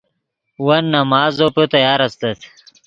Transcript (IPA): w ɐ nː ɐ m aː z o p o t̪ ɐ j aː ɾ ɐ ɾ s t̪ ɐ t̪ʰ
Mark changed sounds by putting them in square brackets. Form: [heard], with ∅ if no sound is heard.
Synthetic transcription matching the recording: w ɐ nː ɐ m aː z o p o t̪ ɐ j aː ɾ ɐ [∅] s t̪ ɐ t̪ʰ